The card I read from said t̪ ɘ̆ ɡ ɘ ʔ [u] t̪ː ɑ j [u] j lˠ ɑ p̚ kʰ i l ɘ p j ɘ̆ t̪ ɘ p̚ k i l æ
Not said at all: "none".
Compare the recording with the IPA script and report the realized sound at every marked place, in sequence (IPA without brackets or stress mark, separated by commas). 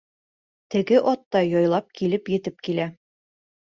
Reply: ɒ, ɒ